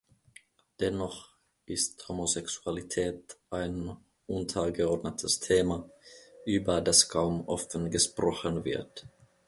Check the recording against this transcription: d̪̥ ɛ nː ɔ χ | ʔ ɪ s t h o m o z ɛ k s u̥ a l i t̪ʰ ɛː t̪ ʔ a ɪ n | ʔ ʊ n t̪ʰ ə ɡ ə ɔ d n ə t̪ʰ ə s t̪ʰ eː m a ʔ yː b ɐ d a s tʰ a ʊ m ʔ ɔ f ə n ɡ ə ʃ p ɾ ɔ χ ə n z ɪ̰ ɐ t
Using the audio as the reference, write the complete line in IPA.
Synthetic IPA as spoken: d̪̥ ɛ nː ɔ χ | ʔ ɪ s t h o m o s ɛ k s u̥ a l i t̪ʰ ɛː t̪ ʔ a ɪ n | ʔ ʊ n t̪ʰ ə ɡ ə ɔ d n ə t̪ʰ ə s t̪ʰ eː m a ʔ yː b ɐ d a s kʰ a ʊ m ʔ ɔ f ə n ɡ ə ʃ p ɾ ɔ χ ə n v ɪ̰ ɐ t

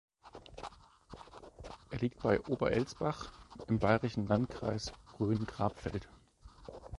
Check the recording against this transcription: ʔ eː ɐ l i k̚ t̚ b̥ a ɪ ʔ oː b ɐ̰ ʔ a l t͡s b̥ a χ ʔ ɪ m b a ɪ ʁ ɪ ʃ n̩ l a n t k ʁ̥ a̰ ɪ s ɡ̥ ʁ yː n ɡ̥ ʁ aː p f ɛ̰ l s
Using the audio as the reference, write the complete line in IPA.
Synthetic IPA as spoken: ʔ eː ɐ l iː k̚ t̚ b̥ a ɪ ʔ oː b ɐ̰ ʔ ɛ l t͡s b̥ a χ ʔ ɪ m b a ɪ ʁ ɪ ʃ n̩ l a n t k ʁ̥ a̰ ɪ s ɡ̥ ʁ yː n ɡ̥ ʁ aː p f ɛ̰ l t

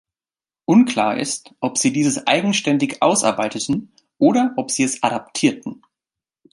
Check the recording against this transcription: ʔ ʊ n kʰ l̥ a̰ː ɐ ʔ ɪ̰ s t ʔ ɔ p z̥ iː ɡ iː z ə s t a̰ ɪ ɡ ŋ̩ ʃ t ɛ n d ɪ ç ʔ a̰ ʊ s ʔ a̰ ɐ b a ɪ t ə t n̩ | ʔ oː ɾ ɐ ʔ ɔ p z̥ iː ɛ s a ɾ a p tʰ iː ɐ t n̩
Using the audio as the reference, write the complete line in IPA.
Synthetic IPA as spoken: ʔ ʊ n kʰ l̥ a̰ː ɐ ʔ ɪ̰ s t ʔ ɔ p z̥ iː d iː z ə s ʔ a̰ ɪ ɡ ŋ̩ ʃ t ɛ n d ɪ ç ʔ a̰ ʊ s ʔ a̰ ɐ b a ɪ t ə t n̩ | ʔ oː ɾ ɐ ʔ ɔ p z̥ iː ɛ s a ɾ a p tʰ iː ɐ t n̩

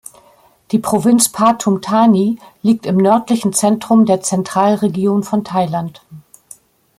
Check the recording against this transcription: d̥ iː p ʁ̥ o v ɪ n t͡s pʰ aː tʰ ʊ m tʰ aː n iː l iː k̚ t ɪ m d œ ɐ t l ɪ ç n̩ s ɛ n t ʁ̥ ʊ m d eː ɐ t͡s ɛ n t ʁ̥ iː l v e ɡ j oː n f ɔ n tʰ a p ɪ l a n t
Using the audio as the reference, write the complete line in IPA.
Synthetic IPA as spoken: d̥ iː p ʁ̥ o v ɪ n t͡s pʰ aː tʰ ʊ m tʰ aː n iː l iː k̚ t ɪ m n œ ɐ t l ɪ ç n̩ t͡s ɛ n t ʁ̥ ʊ m d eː ɐ t͡s ɛ n t ʁ̥ aː l ʁ e ɡ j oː n f ɔ n tʰ a ɪ l a n t

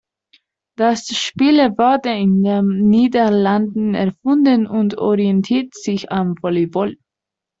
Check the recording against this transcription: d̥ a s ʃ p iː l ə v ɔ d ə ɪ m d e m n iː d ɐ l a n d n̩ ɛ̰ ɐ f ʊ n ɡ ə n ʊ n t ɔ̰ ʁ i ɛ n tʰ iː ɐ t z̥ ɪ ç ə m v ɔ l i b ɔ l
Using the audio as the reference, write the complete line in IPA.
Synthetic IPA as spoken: d̥ a s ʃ p iː l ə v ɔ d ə ɪ n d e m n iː d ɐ l a n d n̩ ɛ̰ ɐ f ʊ n d ə n ʊ n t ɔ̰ ʁ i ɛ n tʰ iː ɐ t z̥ ɪ ç a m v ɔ l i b ɔ l

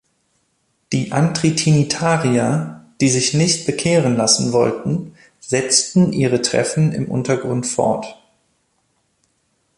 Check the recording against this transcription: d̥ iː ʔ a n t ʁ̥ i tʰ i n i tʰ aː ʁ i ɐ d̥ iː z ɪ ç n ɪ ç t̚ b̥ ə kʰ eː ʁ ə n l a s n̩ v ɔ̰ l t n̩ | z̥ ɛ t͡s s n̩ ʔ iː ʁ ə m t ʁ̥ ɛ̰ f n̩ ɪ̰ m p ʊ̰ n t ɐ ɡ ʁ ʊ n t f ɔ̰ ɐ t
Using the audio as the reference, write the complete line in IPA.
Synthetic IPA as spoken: d̥ iː ʔ a n t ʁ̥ i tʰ i n i tʰ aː ʁ i ɐ d̥ iː z ɪ ç n ɪ ç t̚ b̥ ə kʰ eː ʁ ə n l a s n̩ v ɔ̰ l t n̩ | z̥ ɛ t͡s t n̩ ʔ iː ʁ ə t ʁ̥ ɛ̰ f n̩ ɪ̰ m ʔ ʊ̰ n t ɐ ɡ ʁ ʊ n t f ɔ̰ ɐ t

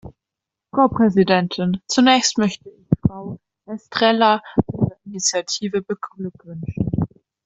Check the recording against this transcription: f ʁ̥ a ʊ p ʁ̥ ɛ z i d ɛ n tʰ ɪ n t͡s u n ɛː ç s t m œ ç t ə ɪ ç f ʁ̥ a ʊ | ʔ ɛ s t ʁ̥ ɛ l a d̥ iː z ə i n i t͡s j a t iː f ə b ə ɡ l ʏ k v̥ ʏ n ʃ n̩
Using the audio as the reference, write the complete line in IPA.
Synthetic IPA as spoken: f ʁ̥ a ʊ p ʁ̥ ɛ z i d ɛ n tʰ ɪ n t͡s u n ɛː ç s t m œ ç t ə ɪ ç f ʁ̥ a ʊ | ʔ ɛ s t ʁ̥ ɛ l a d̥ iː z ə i n i t͡s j a tʰ iː v ə b ə ɡ l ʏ k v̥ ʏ n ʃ n̩

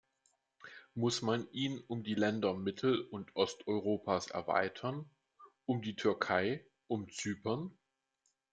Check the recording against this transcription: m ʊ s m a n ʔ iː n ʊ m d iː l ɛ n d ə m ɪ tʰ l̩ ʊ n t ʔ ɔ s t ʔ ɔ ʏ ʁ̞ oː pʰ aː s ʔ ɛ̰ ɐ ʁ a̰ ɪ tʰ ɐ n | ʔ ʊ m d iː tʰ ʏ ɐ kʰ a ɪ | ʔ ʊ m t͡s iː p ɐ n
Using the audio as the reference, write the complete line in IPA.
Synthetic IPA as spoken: m ʊ s m a n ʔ iː n ʊ m d iː l ɛ n d ɐ m ɪ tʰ l̩ ʊ n t ʔ ɔ s t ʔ ɔ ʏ ʁ̞ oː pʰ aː s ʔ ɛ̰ ɐ v a̰ ɪ tʰ ɐ n | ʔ ʊ m d iː tʰ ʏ ɐ kʰ a ɪ | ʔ ʊ m t͡s yː p ɐ n

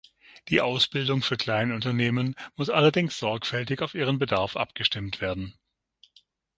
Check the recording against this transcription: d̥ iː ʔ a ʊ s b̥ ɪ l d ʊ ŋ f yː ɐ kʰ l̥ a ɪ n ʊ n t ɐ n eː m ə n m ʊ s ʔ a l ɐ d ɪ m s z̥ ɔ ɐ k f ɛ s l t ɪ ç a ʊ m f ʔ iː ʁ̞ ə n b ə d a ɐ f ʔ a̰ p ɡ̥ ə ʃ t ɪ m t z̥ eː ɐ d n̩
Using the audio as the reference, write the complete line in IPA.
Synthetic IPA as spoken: d̥ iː ʔ a ʊ s b̥ ɪ l d ʊ ŋ f yː ɐ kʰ l̥ a ɪ n ʊ n t ɐ n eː m ə n m ʊ s ʔ a l ɐ d ɪ ŋ s z̥ ɔ ɐ k f ɛ l t ɪ ç a ʊ f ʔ iː ʁ̞ ə n b ə d a ɐ f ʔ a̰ p ɡ̥ ə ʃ t ɪ m t v̥ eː ɐ d n̩

